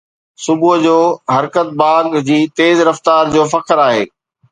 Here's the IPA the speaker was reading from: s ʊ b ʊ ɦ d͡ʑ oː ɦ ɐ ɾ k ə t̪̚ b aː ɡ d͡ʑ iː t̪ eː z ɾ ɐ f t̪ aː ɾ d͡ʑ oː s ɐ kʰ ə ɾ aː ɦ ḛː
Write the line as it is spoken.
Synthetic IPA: s ʊ b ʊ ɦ d͡ʑ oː ɦ ɐ ɾ k ə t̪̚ b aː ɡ d͡ʑ iː t̪ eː z ɾ ɐ f t̪ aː ɾ d͡ʑ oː f ɐ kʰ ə ɾ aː ɦ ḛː